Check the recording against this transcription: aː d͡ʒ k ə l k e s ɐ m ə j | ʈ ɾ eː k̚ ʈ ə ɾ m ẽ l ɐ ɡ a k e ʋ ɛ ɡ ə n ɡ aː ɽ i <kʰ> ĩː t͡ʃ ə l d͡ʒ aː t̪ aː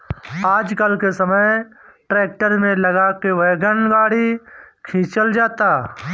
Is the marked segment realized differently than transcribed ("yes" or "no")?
no